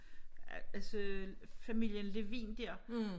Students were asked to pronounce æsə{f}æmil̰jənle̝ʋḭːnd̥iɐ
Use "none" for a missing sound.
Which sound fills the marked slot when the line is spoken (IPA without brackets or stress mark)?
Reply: f